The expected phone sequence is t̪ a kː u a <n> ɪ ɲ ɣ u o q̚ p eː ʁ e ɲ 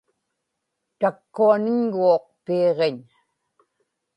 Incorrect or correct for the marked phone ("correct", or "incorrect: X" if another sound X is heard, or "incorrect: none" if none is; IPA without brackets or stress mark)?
correct